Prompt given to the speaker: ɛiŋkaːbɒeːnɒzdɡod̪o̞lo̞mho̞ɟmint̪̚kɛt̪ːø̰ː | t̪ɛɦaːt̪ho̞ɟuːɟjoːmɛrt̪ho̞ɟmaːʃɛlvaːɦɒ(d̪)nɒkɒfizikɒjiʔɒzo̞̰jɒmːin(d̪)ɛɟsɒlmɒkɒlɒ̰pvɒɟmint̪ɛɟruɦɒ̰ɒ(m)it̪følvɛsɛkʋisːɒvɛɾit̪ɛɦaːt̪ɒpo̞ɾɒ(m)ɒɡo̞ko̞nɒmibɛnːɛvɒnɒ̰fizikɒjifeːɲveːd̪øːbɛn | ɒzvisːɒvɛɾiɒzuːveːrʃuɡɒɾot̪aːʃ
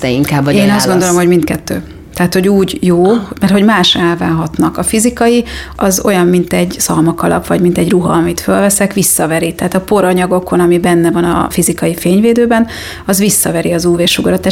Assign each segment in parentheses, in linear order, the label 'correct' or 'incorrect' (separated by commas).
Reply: incorrect, incorrect, correct, incorrect